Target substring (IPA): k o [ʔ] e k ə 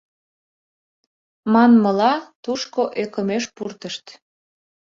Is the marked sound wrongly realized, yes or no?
no